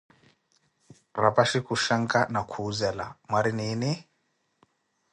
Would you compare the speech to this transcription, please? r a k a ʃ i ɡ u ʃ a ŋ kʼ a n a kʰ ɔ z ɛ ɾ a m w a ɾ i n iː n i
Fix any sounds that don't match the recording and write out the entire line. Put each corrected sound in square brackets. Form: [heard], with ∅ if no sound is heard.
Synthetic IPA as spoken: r a [p] a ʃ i [k] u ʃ a ŋ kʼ a n a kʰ [u] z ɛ [l] a m w a ɾ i n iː n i